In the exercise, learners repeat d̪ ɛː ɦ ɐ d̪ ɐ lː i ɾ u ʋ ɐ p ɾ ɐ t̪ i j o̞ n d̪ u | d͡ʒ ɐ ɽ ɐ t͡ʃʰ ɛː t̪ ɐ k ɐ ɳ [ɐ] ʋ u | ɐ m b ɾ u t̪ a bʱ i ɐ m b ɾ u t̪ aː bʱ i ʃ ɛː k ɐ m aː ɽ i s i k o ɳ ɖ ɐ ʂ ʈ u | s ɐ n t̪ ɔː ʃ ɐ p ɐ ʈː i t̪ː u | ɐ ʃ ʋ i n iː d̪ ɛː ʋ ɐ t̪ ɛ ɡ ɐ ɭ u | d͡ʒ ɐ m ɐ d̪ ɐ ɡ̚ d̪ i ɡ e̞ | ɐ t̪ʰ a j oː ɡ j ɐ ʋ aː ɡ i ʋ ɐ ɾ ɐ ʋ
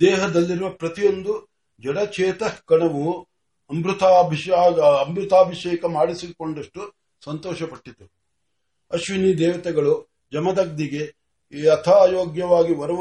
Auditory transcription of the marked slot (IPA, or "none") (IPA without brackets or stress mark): ɐ